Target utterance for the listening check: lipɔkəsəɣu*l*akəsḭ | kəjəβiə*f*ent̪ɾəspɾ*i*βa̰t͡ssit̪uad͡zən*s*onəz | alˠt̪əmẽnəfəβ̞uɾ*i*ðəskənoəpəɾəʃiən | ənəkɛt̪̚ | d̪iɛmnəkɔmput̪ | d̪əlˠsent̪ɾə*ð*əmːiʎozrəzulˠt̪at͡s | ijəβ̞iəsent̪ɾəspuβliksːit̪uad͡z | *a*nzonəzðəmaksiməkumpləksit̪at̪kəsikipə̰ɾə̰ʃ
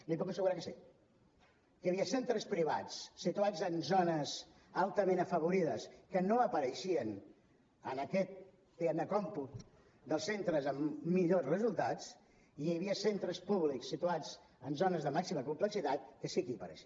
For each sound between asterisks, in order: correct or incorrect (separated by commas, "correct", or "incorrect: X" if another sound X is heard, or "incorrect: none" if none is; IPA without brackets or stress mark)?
incorrect: ɾ, incorrect: s, correct, incorrect: z, correct, incorrect: z, incorrect: ə